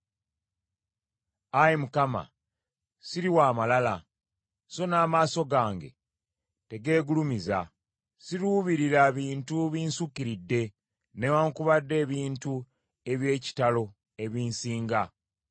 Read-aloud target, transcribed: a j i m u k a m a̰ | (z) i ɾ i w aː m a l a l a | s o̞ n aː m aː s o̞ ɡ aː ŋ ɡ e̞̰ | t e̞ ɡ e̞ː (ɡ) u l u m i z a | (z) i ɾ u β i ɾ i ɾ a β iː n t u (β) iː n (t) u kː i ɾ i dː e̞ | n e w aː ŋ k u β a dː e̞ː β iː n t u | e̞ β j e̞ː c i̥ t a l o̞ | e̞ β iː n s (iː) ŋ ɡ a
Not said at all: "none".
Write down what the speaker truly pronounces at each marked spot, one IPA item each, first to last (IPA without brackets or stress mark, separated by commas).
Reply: s, ɡ, s, β, s, iː